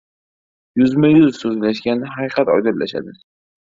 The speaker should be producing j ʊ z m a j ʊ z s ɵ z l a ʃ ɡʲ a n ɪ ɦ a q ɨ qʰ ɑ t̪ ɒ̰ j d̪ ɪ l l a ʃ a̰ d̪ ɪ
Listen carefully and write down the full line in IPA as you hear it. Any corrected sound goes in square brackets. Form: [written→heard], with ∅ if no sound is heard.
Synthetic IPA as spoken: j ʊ z m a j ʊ z s ɵ z l a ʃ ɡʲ a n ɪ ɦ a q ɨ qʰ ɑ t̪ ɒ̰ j d̪ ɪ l l a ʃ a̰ d̪ ɪ